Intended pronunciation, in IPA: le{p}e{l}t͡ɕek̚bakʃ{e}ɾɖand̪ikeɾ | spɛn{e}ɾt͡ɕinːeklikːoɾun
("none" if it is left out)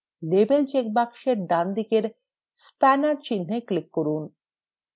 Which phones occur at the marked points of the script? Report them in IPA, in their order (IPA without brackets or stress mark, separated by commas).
b, l, e, a